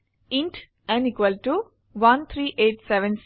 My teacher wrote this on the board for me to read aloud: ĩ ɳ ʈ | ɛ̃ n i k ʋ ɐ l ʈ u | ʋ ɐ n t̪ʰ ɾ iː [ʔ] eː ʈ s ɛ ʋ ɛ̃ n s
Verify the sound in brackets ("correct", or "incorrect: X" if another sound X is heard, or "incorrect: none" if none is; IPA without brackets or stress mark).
correct